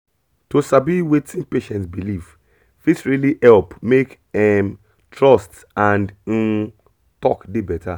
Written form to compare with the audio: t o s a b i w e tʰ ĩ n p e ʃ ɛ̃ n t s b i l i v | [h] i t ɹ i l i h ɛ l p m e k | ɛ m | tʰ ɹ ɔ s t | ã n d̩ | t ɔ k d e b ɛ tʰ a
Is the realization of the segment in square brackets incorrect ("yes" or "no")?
yes